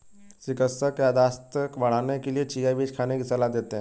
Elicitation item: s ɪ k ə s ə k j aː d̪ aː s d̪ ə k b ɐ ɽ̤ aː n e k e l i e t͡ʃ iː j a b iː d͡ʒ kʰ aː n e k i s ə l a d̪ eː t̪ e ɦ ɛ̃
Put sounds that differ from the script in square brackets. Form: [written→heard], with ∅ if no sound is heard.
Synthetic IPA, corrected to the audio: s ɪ k ə s ə k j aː d̪ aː s [d̪→t̪] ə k b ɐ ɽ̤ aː n e k e l i e t͡ʃ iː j a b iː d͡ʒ kʰ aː n e k i s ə l a d̪ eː t̪ e ɦ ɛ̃